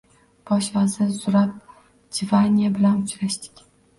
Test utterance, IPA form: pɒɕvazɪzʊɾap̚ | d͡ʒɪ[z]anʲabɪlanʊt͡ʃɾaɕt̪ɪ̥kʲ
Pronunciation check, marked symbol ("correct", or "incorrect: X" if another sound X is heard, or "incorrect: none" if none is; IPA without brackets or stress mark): incorrect: v